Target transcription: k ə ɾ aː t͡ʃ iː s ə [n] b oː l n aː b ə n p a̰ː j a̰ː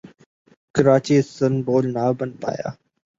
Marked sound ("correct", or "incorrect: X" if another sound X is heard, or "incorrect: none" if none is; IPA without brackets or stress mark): correct